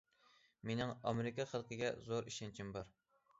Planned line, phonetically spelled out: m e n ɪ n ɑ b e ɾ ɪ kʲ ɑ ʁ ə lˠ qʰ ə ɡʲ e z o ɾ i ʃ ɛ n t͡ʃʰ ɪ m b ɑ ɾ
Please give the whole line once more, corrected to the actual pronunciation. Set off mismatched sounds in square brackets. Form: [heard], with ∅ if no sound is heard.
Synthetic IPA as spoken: m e n ɪ [ŋ] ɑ [m] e ɾ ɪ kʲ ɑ [χ] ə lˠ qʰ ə ɡʲ [ɛ] z o ɾ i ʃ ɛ n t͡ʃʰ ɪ m b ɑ ɾ